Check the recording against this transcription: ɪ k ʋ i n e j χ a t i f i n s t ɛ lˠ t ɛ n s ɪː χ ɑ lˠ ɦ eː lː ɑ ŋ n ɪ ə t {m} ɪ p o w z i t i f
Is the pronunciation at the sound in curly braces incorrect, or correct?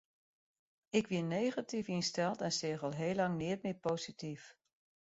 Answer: correct